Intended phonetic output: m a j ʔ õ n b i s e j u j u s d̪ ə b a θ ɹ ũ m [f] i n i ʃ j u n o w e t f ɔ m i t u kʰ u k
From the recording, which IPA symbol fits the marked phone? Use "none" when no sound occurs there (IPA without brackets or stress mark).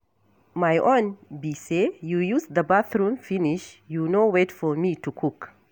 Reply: f